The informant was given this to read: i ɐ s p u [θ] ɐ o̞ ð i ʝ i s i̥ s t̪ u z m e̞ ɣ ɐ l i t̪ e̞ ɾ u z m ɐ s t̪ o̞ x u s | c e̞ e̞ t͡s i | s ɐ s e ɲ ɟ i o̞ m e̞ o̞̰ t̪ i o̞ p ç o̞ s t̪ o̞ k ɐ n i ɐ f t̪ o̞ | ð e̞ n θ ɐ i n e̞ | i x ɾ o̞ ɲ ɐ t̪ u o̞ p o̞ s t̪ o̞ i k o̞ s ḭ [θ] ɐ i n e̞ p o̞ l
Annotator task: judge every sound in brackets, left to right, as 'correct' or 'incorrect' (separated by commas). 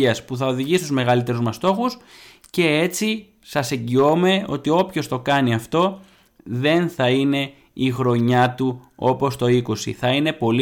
correct, correct